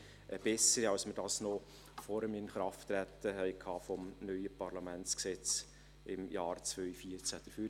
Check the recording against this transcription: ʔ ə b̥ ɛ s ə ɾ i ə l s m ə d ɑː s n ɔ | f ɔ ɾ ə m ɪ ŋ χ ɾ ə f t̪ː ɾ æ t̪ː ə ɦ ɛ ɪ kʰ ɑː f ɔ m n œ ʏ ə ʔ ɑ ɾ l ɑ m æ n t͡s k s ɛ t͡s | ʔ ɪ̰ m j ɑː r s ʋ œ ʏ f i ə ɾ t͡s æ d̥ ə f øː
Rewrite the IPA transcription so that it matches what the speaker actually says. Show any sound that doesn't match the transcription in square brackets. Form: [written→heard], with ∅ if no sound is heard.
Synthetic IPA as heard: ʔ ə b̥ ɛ s ə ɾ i [ə→ɑ] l s m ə d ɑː s n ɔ | f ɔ ɾ ə m ɪ [ŋ→n] χ ɾ [ə→ɑ] f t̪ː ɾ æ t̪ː ə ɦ ɛ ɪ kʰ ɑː f ɔ m n œ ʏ ə [ʔ→p] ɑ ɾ l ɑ m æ n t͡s k s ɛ t͡s | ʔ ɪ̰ m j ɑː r [s→t͡s] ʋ œ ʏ f i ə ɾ t͡s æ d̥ ə f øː